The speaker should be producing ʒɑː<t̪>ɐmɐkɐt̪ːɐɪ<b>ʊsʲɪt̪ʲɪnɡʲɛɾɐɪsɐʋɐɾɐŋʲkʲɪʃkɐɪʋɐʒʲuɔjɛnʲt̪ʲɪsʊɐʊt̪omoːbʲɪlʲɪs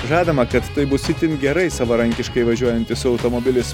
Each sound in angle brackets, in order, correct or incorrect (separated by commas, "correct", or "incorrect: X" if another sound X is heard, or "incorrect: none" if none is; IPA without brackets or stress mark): incorrect: d̪, correct